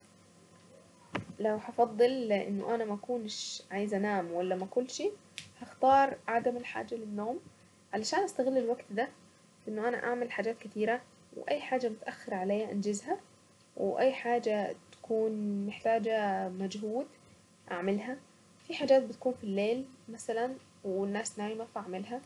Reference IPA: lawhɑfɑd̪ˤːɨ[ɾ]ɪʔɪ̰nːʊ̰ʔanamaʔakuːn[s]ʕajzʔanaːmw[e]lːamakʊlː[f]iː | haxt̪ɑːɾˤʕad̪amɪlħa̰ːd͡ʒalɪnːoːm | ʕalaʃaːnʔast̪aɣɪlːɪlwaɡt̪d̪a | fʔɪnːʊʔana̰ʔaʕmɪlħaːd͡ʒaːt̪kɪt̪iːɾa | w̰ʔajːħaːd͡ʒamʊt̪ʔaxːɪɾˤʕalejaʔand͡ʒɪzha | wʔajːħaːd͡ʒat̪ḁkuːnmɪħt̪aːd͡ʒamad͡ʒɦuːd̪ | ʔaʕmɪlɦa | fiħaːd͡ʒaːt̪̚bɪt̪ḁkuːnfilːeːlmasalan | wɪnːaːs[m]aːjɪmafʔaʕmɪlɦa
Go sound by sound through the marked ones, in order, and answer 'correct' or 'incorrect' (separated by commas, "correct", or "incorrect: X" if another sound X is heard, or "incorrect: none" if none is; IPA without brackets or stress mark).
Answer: incorrect: l, incorrect: ʃ, incorrect: a, incorrect: ʃ, incorrect: n